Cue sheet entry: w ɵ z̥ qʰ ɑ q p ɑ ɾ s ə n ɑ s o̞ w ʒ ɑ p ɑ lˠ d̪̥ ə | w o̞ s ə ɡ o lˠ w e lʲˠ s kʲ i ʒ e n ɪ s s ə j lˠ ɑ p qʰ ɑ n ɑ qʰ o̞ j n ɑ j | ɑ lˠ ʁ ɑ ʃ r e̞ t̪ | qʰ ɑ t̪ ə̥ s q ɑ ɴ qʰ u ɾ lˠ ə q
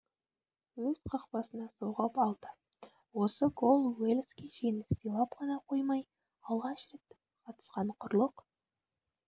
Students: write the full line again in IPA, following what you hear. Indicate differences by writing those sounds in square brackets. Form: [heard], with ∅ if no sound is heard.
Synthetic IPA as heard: w ɵ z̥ qʰ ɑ q p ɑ [∅] s ə n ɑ s o̞ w [ʁ] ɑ p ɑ lˠ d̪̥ ə | w o̞ s ə ɡ o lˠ w e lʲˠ s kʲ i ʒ e n ɪ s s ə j lˠ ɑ p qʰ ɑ n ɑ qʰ o̞ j [m] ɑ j | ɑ lˠ ʁ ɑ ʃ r e̞ t̪ | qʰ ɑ t̪ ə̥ s q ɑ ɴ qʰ [ʊ] ɾ lˠ ə q